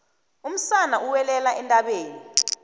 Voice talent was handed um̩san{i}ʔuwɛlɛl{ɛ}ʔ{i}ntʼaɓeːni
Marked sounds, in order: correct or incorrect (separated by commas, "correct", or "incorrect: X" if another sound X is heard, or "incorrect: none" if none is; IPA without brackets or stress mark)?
incorrect: a, incorrect: a, incorrect: ɛ